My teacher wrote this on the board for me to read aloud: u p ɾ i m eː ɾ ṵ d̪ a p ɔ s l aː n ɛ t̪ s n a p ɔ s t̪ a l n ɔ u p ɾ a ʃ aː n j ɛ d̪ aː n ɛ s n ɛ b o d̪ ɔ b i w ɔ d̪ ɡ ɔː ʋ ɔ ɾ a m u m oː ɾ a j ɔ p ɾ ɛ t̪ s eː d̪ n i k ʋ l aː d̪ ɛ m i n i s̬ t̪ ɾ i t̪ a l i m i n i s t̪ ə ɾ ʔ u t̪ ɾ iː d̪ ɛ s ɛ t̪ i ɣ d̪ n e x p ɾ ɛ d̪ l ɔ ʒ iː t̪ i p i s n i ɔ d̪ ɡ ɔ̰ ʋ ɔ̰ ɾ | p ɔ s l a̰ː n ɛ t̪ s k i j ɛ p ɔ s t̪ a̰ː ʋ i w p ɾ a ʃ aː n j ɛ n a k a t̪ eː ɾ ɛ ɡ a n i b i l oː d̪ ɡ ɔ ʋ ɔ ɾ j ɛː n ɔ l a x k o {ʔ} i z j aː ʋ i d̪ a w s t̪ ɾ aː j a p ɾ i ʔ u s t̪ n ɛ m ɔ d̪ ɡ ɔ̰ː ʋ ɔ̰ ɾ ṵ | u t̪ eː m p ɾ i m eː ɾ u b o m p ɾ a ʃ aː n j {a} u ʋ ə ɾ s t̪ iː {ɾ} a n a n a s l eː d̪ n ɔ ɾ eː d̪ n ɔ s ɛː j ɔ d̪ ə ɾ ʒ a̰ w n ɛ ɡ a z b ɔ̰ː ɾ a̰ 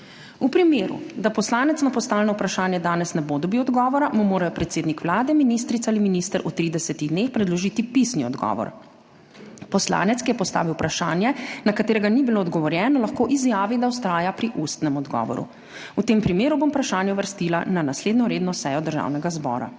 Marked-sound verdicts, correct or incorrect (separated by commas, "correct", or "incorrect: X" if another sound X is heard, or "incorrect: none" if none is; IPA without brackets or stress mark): correct, incorrect: ɛ, incorrect: l